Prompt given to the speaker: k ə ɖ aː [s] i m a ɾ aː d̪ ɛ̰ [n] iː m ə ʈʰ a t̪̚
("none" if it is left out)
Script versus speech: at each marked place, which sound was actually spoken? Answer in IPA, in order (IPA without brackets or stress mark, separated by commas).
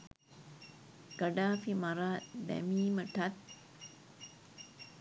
f, m